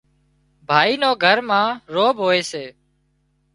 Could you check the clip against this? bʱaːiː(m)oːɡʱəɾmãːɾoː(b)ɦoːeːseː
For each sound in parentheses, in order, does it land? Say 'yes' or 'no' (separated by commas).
no, yes